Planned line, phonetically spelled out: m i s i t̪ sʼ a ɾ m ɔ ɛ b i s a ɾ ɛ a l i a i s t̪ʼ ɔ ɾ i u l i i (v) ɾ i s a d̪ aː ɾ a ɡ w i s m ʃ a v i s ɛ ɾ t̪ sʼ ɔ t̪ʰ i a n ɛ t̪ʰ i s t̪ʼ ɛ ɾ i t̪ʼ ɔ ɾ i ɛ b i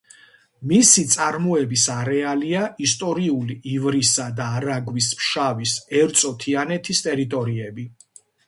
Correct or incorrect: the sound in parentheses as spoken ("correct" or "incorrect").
correct